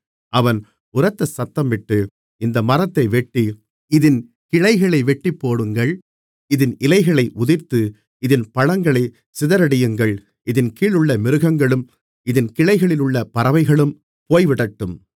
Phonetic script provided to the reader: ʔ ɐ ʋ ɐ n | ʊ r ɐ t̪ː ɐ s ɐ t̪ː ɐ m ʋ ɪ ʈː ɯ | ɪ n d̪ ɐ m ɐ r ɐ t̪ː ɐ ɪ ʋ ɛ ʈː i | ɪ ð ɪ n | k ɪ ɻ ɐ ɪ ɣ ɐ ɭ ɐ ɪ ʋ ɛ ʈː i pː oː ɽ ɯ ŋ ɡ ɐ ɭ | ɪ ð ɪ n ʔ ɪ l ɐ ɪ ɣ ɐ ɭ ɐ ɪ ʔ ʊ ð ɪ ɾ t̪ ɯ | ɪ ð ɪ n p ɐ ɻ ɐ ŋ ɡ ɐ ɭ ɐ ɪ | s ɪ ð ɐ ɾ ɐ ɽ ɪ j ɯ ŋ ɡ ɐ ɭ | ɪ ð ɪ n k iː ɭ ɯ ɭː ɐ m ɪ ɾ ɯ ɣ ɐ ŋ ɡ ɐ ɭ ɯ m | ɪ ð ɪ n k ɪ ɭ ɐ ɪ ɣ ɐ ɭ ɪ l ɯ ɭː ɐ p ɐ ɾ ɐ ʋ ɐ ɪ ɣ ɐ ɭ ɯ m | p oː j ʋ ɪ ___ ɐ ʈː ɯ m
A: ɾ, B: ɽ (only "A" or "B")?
B